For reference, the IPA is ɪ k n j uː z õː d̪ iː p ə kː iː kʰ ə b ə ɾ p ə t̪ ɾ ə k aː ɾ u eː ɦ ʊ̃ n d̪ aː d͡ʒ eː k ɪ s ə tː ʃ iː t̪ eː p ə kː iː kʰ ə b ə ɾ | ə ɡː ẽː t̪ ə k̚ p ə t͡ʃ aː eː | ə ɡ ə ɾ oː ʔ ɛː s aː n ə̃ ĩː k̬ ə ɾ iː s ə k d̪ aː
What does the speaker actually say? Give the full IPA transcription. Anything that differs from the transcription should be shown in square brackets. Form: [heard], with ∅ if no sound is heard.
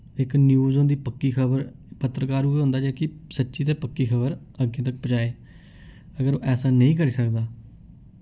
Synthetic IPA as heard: ɪ k n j uː z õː d̪ iː p ə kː iː kʰ ə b ə ɾ p ə t̪ ɾ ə k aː ɾ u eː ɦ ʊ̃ n d̪ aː d͡ʒ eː k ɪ s ə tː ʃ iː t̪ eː p ə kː iː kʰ ə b ə ɾ | ə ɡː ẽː t̪ ə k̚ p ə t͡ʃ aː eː | ə ɡ ə ɾ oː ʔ ɛː s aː n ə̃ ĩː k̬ ə ɾ iː s ə k d̪ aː